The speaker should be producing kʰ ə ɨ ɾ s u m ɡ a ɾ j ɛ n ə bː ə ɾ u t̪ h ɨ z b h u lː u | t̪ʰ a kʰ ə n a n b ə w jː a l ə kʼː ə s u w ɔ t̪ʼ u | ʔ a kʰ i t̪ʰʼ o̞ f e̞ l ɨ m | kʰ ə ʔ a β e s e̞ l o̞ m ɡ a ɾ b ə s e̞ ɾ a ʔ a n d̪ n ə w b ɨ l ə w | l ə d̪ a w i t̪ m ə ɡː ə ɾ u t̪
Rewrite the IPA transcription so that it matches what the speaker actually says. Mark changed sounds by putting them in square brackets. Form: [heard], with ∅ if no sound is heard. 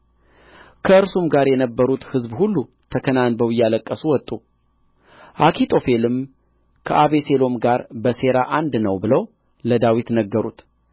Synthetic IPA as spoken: kʰ ə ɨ ɾ s u m ɡ a ɾ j ɛ n ə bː ə ɾ u t̪ h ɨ z b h u lː u | t̪ʰ [ə] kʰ ə n a n b ə w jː a l ə kʼː ə s u w ɔ t̪ʼ u | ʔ a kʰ i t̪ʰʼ o̞ f e̞ l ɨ m | kʰ ə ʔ a β e s e̞ l o̞ m ɡ a ɾ b ə s e̞ ɾ a ʔ a n d̪ n ə w b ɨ l ə w | l ə d̪ a w i t̪ [n] ə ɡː ə ɾ u t̪